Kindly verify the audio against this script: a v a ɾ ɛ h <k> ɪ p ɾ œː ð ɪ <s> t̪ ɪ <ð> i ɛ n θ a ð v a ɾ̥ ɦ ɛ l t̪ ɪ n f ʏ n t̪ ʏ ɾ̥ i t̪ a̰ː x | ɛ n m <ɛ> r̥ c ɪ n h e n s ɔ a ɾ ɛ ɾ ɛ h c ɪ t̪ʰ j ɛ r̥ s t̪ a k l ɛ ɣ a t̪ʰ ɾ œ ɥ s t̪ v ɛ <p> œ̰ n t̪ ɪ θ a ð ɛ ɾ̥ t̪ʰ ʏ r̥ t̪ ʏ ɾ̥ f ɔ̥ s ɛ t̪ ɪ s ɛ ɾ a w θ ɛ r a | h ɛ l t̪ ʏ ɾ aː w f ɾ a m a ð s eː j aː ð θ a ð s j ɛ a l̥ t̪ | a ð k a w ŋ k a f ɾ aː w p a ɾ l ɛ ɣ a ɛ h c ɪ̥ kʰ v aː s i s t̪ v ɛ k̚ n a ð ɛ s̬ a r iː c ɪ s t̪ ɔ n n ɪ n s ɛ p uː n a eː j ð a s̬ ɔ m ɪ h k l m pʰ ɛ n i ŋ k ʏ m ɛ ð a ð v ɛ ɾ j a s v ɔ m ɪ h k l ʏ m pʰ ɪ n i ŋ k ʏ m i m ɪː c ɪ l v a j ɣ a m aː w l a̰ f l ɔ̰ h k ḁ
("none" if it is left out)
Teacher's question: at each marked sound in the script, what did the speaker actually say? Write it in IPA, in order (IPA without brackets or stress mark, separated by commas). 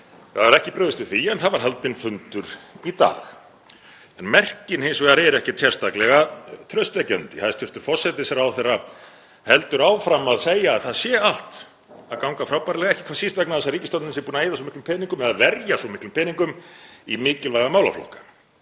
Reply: c, s, θ, ɛ, c